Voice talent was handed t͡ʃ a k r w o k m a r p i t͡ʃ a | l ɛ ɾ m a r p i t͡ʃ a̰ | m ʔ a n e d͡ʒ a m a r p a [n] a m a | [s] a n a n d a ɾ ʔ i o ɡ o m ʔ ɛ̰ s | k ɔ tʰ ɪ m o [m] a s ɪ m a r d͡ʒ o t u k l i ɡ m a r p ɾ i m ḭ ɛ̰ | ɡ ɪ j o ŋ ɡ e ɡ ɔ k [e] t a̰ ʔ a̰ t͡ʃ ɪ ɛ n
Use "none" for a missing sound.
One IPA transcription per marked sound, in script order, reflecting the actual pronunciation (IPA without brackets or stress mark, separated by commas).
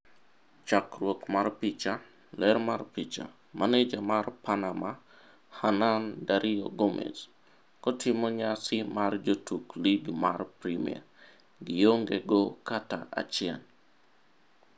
n, h, ɲ, a